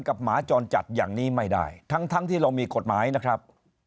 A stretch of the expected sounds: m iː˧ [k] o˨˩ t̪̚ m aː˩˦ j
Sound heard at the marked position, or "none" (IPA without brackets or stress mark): k